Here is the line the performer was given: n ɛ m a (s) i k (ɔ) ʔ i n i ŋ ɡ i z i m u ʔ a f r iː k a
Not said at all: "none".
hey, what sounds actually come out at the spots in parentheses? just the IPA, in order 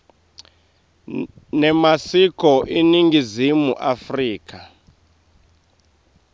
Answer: s, ɔ

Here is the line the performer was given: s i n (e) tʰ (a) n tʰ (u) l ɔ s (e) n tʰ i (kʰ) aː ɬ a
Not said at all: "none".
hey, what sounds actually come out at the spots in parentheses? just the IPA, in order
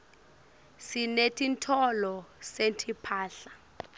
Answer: e, i, ɔ, e, pʰ

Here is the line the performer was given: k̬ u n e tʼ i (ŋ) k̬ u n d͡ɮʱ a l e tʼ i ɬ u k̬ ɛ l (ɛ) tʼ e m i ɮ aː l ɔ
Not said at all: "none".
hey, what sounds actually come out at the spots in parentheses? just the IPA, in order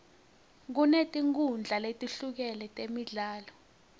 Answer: ŋ, ɛ

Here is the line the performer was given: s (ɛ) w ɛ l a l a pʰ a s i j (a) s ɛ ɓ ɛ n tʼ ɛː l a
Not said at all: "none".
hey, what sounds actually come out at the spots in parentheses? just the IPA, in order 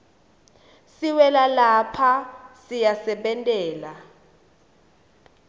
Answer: i, a

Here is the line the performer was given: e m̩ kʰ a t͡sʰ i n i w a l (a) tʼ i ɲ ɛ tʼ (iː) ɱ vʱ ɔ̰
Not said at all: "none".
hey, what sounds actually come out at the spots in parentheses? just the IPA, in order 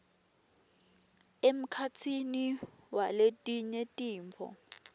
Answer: e, iː

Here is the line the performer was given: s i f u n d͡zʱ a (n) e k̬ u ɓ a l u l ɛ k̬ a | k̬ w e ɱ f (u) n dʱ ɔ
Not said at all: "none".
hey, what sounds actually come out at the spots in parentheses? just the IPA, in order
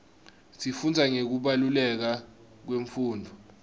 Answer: ŋ, uː

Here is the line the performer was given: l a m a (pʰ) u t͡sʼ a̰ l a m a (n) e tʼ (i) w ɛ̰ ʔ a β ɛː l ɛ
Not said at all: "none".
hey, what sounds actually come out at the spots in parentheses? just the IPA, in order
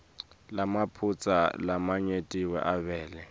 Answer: pʰ, ɲ, i

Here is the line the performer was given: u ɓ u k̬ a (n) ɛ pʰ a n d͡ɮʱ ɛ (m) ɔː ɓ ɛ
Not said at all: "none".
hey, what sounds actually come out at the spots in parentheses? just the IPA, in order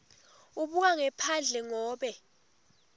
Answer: ŋ, ŋ

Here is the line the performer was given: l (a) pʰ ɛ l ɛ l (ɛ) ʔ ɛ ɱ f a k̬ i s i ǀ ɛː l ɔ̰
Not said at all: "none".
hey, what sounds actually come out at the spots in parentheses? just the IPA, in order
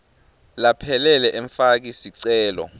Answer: a, ɛ

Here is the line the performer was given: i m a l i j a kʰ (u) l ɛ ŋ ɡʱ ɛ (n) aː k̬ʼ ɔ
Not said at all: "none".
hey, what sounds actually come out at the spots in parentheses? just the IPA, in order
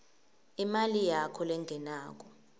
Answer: ɔ, n

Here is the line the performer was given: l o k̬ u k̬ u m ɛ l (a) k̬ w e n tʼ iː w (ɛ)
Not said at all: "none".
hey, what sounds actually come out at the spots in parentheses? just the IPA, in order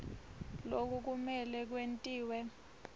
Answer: ɛ, ɛ

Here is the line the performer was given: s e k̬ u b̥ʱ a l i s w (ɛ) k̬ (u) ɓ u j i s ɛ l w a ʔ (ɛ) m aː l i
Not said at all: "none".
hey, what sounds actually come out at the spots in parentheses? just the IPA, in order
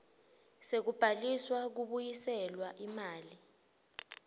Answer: a, u, i

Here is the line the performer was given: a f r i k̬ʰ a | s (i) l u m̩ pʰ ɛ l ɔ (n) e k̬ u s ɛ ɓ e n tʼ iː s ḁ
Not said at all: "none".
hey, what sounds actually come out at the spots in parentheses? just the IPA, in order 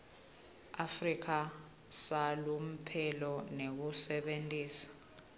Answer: a, n

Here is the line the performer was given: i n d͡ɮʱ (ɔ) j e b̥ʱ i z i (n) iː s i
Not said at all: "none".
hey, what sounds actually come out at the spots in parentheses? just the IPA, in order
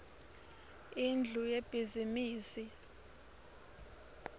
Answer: u, m

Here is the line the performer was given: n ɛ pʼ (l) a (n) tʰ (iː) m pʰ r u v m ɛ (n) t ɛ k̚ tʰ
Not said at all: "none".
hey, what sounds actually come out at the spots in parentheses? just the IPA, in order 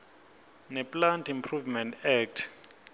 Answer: l, n, i, n

